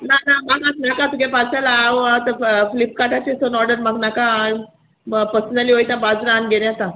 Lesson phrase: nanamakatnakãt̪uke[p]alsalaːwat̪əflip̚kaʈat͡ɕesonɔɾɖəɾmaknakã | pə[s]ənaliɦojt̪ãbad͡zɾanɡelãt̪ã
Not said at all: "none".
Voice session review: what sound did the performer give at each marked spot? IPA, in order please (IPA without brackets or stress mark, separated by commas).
p, s